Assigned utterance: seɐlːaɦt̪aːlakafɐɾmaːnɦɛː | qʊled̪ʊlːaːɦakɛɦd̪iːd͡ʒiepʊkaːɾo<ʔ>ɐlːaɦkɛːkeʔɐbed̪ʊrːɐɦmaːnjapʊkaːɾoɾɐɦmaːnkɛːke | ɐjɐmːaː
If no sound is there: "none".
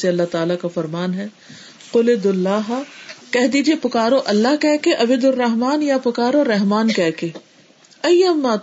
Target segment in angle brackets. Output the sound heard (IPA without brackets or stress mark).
ʔ